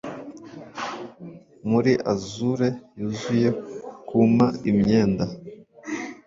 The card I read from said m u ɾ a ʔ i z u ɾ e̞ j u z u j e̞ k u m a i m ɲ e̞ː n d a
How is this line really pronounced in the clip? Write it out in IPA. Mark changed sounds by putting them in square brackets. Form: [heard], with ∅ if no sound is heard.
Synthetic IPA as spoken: m u ɾ [i] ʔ [a] z u ɾ e̞ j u z u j e̞ k u m a i m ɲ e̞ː n d a